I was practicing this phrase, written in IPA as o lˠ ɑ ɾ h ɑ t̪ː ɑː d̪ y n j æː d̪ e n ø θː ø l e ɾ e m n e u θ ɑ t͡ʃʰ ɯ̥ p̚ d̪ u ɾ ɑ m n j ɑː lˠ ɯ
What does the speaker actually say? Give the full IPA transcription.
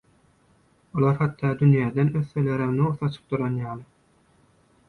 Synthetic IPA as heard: o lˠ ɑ ɾ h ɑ t̪ː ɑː d̪ y n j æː d̪ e n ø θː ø l e ɾ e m n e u θ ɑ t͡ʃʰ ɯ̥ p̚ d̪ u ɾ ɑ n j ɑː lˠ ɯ